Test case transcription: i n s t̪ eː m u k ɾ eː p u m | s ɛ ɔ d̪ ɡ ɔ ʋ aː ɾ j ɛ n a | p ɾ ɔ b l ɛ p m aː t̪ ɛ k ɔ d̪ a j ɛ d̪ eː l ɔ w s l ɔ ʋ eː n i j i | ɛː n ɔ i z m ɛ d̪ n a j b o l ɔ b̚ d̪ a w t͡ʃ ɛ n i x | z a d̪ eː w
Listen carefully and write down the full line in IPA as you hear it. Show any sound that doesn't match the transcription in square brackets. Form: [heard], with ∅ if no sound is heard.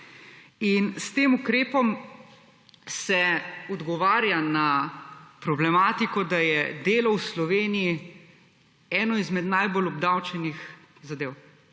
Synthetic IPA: i n s t̪ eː m u k ɾ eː p [ɔ] m | s ɛ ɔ d̪ ɡ ɔ ʋ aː ɾ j [a] n a | p ɾ ɔ b l ɛ [∅] m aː t̪ [i] k ɔ d̪ a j ɛ d̪ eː l ɔ w s l ɔ ʋ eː n i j i | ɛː n ɔ i z m ɛ d̪ n a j b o l ɔ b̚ d̪ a w t͡ʃ ɛ n i x | z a d̪ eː w